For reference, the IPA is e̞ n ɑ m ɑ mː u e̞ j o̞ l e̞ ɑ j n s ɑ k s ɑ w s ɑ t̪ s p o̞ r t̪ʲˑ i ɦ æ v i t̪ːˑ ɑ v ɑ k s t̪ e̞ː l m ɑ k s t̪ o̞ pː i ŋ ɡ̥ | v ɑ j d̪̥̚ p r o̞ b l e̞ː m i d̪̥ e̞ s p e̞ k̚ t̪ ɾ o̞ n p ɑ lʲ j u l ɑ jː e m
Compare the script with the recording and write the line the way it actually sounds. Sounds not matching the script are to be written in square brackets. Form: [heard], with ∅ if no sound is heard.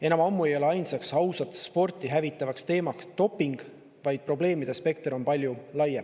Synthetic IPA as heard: e̞ n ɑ m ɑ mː u e̞ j o̞ l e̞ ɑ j n s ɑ k s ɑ w s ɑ t̪ s p o̞ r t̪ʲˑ i ɦ æ v i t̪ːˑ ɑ v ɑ k s t̪ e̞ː [∅] m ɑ k s t̪ o̞ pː i ŋ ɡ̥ | v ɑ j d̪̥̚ p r o̞ b l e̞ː m i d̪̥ e̞ s p e̞ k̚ t̪ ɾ o̞ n p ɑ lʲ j u l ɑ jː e m